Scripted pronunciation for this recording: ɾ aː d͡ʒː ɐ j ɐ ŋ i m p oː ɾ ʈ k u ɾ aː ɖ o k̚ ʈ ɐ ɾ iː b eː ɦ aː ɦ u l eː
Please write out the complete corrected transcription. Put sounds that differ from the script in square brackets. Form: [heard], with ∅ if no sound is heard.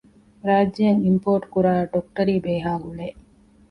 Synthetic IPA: ɾ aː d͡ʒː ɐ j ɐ ŋ i m p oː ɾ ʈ k u ɾ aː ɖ o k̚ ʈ ɐ ɾ iː b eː ɦ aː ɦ u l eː